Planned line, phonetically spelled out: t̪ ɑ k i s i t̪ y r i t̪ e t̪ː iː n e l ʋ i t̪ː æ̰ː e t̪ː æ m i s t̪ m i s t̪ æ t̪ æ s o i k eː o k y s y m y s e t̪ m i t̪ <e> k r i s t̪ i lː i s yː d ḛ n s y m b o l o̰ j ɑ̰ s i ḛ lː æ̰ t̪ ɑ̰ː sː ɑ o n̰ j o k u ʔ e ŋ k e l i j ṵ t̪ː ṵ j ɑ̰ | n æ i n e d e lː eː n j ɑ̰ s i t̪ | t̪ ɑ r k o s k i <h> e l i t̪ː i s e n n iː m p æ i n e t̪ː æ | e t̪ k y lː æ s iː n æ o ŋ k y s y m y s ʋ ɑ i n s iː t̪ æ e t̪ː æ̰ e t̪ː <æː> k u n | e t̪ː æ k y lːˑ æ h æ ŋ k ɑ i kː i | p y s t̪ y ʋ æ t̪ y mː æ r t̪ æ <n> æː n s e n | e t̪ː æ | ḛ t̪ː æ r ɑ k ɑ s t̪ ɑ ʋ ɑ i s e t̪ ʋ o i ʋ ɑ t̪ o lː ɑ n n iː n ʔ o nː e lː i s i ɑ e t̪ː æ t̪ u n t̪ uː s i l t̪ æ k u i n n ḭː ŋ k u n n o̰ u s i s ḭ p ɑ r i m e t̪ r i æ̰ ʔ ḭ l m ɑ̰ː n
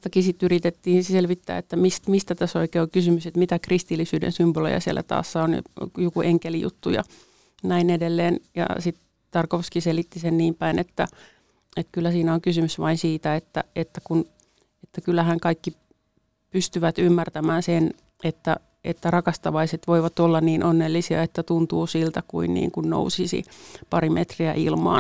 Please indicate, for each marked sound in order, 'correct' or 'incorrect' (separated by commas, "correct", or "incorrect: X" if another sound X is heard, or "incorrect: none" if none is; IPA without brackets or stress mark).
incorrect: æ, incorrect: s, incorrect: æ, incorrect: m